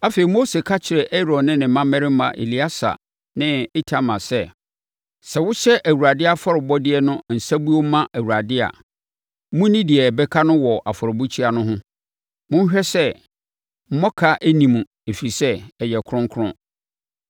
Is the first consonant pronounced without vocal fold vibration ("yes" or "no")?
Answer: yes